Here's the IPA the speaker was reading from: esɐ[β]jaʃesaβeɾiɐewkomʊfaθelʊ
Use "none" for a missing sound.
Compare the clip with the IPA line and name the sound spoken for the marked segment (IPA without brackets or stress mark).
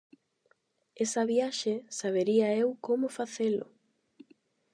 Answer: β